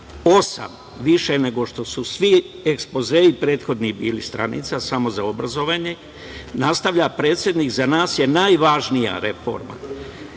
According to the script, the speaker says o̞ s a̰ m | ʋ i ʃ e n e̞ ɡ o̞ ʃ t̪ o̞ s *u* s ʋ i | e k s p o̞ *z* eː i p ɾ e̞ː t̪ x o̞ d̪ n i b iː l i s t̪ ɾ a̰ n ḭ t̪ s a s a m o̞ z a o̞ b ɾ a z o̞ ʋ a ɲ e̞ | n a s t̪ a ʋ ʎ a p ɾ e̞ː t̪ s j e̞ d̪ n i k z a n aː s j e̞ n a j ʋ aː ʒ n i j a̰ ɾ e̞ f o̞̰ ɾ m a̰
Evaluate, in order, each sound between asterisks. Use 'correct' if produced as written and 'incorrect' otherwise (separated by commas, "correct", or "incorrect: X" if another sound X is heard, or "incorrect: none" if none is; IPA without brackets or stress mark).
correct, correct